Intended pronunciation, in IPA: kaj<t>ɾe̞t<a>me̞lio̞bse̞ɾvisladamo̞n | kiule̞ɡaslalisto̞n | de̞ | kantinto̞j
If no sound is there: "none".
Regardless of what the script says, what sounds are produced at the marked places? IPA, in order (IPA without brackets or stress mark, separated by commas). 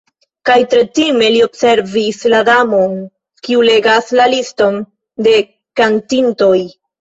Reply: t, i